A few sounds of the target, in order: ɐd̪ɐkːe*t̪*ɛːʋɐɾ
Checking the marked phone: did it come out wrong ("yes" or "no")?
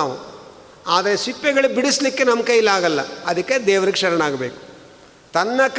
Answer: yes